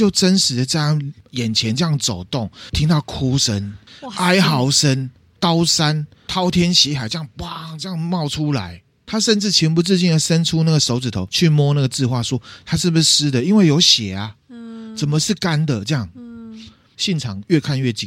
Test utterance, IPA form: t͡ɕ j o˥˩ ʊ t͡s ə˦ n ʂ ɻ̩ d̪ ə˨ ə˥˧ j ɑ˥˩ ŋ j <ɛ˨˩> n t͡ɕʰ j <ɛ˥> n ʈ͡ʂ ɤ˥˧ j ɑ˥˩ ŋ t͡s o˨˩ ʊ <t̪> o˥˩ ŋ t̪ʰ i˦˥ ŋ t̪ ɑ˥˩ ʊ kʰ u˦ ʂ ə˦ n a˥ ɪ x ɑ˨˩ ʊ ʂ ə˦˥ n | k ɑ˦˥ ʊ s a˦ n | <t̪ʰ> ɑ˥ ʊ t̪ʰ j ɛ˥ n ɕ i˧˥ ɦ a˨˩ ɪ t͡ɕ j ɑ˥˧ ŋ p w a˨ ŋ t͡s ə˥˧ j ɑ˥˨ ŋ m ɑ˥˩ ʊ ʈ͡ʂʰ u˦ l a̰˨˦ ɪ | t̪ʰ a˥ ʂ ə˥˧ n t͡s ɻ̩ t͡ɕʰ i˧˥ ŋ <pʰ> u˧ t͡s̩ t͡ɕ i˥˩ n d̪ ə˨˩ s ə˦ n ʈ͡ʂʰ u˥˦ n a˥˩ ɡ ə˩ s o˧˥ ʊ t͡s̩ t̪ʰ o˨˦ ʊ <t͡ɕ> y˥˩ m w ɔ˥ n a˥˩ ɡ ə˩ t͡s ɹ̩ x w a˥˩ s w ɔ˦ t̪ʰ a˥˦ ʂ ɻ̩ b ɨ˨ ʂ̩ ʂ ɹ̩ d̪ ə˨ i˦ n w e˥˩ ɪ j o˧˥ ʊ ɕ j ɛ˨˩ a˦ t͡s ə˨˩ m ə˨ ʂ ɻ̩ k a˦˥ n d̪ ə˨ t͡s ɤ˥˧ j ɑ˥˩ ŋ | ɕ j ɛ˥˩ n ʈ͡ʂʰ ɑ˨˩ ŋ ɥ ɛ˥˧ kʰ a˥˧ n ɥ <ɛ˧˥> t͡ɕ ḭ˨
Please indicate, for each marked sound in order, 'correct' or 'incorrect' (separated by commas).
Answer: correct, incorrect, correct, correct, incorrect, incorrect, incorrect